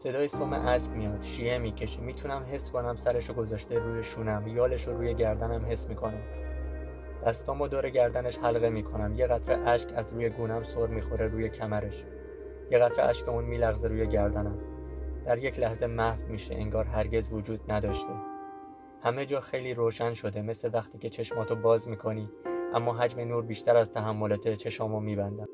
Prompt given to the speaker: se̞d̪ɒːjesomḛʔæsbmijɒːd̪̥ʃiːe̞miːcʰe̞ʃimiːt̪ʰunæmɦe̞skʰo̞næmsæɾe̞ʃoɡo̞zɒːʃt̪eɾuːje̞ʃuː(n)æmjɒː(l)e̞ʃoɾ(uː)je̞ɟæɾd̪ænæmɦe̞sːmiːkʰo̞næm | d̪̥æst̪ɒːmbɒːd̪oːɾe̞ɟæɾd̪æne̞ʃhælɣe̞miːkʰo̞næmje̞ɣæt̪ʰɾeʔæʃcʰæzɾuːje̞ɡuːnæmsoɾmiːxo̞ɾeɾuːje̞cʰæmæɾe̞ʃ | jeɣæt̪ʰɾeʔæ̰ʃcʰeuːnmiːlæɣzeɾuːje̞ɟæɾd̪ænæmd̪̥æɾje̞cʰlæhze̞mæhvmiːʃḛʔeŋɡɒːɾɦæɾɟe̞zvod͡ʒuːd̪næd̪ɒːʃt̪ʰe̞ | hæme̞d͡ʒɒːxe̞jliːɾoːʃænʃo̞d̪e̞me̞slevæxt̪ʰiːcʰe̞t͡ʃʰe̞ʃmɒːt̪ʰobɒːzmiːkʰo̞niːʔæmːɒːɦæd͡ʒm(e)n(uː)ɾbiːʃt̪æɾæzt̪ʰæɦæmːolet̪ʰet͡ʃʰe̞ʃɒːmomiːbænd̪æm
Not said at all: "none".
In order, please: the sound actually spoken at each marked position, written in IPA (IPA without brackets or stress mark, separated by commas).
n, l, uː, e, uː